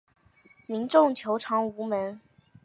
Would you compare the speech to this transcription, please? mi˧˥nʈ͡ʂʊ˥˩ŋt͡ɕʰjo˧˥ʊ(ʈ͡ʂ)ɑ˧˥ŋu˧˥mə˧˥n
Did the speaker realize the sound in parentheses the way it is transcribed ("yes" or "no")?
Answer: no